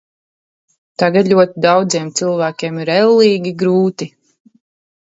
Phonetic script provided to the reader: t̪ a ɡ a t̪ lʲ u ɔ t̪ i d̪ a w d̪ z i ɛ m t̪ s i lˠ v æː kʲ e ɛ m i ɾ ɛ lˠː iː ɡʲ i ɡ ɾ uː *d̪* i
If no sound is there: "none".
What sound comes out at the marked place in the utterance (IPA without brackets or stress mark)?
t̪